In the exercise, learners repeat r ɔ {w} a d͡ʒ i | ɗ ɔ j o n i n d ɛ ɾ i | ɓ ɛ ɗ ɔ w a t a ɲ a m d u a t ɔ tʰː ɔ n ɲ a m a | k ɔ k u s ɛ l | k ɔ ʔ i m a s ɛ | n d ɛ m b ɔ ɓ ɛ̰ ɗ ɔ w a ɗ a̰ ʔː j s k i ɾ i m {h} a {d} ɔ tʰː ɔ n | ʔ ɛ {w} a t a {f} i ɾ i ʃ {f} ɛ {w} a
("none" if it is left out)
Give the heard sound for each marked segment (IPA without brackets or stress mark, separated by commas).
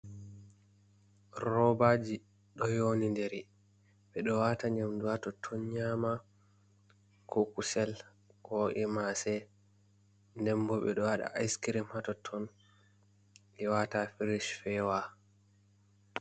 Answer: b, h, t, w, f, f, w